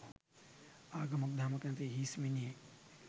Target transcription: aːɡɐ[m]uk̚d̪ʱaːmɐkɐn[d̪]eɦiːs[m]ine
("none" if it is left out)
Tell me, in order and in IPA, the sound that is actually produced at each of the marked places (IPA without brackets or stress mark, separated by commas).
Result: m, t̪, m